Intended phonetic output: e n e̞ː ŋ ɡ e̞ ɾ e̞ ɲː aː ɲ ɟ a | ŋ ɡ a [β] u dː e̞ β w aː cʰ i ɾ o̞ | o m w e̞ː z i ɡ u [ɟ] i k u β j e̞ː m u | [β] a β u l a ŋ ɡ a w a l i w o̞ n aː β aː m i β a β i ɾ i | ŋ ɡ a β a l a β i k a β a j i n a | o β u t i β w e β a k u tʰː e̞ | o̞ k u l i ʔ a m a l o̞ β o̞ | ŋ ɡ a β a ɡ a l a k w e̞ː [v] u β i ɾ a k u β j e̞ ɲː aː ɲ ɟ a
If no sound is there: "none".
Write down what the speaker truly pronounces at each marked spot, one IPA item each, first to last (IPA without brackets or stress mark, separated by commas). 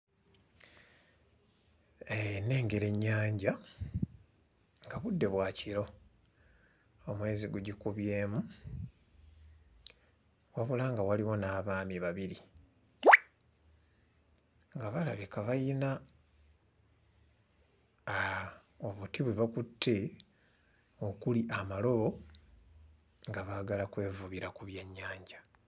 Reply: β, ɟ, w, v